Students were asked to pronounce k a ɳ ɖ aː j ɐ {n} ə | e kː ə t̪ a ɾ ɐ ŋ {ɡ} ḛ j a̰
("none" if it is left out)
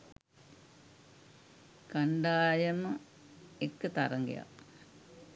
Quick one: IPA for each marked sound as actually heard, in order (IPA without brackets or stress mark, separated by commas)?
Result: m, ɡ